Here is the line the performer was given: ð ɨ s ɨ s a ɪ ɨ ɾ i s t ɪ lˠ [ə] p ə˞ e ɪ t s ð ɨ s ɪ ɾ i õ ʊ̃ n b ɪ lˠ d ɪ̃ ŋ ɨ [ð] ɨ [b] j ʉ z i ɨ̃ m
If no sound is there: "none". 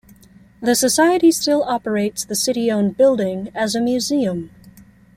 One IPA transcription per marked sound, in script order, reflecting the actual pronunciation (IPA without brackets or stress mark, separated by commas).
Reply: ɑ, z, m